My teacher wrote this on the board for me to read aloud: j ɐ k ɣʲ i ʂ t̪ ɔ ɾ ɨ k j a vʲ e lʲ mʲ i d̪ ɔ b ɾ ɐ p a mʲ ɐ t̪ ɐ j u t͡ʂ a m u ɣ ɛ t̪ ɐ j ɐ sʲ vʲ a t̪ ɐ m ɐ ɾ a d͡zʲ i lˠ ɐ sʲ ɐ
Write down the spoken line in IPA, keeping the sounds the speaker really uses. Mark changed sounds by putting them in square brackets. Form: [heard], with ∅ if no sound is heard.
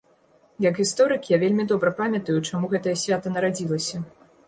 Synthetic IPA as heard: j ɐ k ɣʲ i [s] t̪ ɔ ɾ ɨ k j a vʲ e lʲ mʲ i d̪ ɔ b ɾ ɐ p a mʲ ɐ t̪ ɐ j u t͡ʂ a m u ɣ ɛ t̪ ɐ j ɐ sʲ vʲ a t̪ ɐ [n] ɐ ɾ a d͡zʲ i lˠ ɐ sʲ ɐ

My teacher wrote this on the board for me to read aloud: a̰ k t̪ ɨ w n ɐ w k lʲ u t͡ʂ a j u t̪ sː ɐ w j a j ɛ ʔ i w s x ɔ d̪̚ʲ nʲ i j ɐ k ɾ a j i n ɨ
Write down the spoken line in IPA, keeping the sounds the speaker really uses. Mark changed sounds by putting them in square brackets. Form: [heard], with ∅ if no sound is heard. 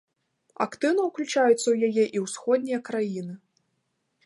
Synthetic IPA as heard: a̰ k t̪ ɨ w n ɐ w k lʲ u t͡ʂ a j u t̪ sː ɐ w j a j ɛ ʔ i w s x ɔ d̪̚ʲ nʲ i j ɐ k ɾ a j i n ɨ

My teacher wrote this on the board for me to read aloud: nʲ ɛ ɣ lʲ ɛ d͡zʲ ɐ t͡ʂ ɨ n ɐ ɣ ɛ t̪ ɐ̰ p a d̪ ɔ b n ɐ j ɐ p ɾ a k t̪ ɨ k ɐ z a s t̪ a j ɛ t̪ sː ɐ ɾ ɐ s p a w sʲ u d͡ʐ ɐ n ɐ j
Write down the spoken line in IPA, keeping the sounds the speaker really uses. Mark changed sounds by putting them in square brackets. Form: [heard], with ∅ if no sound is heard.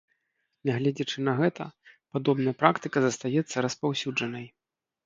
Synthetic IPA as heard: nʲ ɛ ɣ lʲ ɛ d͡zʲ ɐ t͡ʂ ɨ n ɐ ɣ ɛ t̪ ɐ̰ p a d̪ ɔ b n ɐ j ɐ p ɾ a k t̪ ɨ k ɐ z [ɐ] s t̪ a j ɛ t̪ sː ɐ ɾ ɐ s p a w sʲ u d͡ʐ ɐ n ɐ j

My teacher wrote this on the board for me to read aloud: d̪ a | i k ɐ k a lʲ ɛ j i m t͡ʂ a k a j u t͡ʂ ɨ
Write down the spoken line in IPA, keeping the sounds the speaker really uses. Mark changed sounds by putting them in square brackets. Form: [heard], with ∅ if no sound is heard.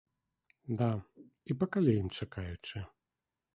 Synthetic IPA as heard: d̪ a | i [p] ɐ k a lʲ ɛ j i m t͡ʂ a k a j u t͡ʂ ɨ

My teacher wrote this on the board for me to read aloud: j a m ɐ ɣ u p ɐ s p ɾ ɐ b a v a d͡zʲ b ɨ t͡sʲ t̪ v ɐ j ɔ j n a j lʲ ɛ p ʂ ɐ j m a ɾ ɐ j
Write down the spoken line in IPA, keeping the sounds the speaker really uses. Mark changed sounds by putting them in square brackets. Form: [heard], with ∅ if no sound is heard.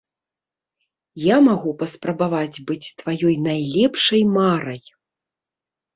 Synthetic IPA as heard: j a m [a] ɣ u p ɐ s p ɾ ɐ b a v a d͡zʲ b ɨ t͡sʲ t̪ v [a] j ɔ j n a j lʲ ɛ p ʂ ɐ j m a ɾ ɐ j

